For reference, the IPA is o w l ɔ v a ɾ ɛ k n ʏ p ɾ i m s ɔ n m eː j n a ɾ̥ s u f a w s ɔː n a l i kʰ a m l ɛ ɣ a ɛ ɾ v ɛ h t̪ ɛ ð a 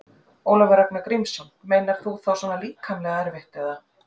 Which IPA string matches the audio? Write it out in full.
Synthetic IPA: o w l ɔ v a ɾ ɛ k n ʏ k ɾ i m s ɔ n m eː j n a ɾ̥ θ u θ a w s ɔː n a l iː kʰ a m l ɛ ɣ a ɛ ɾ v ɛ h t̪ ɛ ð a

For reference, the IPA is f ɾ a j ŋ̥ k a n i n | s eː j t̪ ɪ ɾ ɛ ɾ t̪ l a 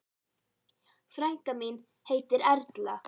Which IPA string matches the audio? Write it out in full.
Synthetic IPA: f ɾ a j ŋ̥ k a m i n | h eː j t̪ ɪ ɾ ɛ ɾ t̪ l a

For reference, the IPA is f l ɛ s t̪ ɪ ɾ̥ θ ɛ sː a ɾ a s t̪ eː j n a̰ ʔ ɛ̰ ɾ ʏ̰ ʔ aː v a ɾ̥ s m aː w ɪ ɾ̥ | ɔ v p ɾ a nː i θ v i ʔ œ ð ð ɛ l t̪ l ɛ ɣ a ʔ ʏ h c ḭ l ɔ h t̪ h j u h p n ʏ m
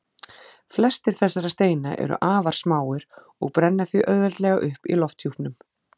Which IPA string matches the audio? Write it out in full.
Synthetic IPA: f l ɛ s t̪ ɪ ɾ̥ θ ɛ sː a ɾ a s t̪ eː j n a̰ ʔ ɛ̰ ɾ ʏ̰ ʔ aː v a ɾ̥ s m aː w ɪ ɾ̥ | ɔ ɣ p ɾ ɛ nː a θ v i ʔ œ ð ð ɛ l t̪ l ɛ ɣ a ʔ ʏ h p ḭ l ɔ f t̪ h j u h p n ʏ m

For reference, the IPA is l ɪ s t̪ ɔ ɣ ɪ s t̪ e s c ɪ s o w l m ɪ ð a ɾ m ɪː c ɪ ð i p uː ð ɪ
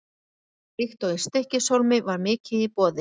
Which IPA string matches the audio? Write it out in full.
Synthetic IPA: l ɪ x t̪ ɔ ɣ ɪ s t̪ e h c ɪ s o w l m ɪ v a ɾ m ɪː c ɪ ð i p ɔː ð ɪ

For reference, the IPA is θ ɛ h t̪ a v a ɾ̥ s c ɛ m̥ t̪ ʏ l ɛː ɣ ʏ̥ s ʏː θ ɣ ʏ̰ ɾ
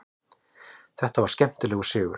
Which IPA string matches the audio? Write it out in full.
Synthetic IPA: θ ɛ h t̪ a v a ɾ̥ s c ɛ m̥ t̪ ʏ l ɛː ɣ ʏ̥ s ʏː ɣ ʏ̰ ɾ

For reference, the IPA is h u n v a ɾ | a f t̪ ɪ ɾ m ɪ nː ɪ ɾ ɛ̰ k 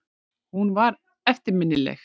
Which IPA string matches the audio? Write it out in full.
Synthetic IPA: h u n v a ɾ | ɛ f t̪ ɪ ɾ m ɪ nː ɪ l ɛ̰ x

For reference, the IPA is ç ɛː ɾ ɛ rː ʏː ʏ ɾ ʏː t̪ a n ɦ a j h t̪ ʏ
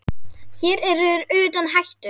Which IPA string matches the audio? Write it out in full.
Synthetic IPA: ç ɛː ɾ ɛ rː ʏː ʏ ɾ ʏː t̪ a n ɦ a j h t̪ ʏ

